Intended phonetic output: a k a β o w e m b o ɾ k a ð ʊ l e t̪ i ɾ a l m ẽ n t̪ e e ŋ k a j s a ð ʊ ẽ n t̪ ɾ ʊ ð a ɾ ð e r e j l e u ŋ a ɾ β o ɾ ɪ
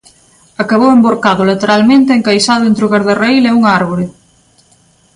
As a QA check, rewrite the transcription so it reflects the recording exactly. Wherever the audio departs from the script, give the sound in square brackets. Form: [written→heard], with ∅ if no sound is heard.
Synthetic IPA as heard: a k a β o w e m b o ɾ k a ð ʊ l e t̪ [i→e] ɾ a l m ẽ n t̪ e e ŋ k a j s a ð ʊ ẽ n t̪ ɾ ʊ [ð→ɣ] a ɾ ð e r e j l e u ŋ a ɾ β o ɾ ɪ